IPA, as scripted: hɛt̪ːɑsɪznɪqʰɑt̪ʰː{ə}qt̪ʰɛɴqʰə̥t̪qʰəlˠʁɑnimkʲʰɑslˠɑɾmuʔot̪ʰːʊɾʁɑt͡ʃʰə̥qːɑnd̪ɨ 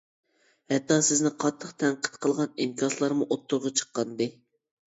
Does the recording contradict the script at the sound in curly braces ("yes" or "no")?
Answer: no